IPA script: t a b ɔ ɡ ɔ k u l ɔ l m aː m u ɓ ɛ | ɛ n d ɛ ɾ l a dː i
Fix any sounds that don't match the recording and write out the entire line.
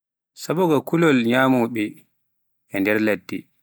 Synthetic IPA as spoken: s a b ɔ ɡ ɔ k u l ɔ l ɲ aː m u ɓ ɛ | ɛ n d ɛ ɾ l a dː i